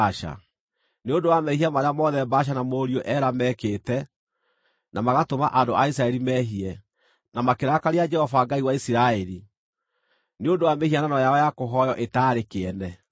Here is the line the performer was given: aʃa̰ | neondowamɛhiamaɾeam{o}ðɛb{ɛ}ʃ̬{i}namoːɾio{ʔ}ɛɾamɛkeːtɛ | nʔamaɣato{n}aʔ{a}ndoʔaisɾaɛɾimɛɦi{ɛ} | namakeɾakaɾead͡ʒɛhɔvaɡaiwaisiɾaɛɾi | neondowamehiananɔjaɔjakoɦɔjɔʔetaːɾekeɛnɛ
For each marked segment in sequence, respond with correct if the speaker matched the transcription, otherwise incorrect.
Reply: incorrect, incorrect, incorrect, correct, incorrect, correct, correct

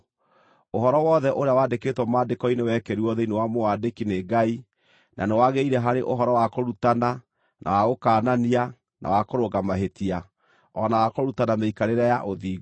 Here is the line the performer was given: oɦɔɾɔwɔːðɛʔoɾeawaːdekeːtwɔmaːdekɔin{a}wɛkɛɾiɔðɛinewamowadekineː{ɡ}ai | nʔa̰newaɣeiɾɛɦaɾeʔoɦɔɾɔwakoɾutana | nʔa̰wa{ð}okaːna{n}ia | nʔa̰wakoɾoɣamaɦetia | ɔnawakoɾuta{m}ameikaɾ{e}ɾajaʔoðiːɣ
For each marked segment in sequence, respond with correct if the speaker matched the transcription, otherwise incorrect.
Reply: incorrect, correct, incorrect, correct, incorrect, correct

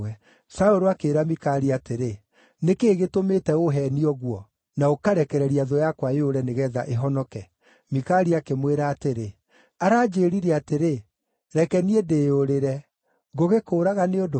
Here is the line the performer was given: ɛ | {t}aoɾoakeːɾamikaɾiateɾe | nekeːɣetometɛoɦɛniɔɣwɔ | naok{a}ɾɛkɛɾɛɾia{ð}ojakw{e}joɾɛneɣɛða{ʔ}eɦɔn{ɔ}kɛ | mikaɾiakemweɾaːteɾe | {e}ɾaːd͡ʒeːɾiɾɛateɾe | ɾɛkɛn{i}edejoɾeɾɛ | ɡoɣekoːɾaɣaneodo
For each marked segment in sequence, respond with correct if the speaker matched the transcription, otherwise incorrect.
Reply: incorrect, correct, correct, incorrect, correct, correct, incorrect, correct

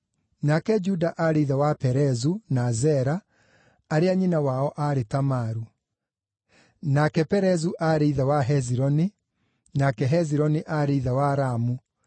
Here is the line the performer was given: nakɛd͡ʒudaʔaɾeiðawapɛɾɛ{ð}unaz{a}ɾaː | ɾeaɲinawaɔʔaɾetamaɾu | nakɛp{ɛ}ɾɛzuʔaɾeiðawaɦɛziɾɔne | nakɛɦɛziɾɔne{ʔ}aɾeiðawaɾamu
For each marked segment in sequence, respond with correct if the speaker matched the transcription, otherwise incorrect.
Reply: incorrect, incorrect, correct, correct

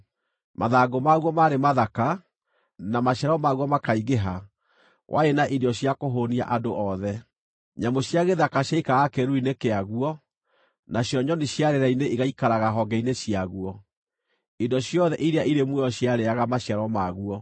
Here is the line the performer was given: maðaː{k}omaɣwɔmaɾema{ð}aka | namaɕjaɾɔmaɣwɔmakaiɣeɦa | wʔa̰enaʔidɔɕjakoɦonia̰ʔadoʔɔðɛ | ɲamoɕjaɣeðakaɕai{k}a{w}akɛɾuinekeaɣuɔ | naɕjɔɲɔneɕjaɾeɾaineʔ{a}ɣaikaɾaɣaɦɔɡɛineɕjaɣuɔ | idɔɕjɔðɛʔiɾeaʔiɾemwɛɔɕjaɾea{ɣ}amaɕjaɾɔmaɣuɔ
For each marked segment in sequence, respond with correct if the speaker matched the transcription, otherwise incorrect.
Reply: incorrect, correct, correct, incorrect, incorrect, correct

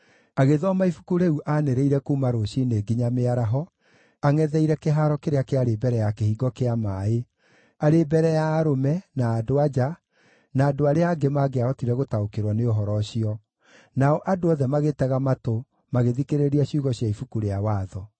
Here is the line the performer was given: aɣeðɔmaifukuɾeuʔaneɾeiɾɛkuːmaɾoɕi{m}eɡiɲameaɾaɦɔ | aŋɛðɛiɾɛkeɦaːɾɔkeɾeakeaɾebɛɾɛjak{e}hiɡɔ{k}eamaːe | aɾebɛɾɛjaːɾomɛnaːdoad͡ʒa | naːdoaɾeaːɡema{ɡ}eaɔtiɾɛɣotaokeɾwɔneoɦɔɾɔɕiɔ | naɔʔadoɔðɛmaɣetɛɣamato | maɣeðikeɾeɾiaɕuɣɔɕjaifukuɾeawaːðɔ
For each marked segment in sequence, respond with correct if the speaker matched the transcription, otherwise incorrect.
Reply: incorrect, correct, correct, correct

